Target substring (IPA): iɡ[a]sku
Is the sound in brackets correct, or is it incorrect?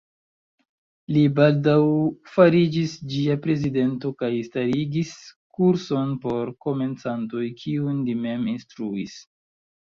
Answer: incorrect